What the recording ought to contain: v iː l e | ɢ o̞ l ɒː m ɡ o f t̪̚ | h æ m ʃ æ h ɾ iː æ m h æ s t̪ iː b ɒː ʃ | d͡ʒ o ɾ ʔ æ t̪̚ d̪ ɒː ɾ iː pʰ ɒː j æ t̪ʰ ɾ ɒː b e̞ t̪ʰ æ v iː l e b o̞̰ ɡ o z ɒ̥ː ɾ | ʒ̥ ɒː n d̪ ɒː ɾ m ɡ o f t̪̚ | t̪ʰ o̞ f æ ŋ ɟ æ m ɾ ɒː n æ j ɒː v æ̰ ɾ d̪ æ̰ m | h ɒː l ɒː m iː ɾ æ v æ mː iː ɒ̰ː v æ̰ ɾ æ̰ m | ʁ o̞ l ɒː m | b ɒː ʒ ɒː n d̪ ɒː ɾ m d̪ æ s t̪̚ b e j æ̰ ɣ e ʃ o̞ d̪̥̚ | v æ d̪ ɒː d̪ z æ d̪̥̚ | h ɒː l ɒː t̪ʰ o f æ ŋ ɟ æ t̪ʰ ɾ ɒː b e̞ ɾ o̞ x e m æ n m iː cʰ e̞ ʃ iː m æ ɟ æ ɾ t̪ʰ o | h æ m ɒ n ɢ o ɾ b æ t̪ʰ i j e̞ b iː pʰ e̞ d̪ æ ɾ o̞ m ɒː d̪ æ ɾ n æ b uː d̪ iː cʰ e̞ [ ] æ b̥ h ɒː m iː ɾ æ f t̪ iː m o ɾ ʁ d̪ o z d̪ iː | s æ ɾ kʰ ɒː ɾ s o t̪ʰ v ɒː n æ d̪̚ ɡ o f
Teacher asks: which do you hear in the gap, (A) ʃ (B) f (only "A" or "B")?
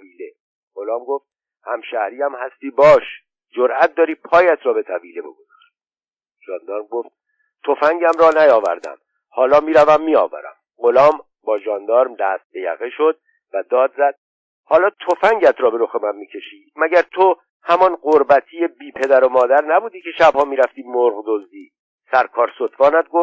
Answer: A